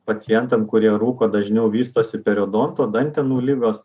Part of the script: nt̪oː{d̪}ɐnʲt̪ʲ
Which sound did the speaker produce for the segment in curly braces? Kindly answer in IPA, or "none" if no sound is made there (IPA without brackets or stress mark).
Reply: d̪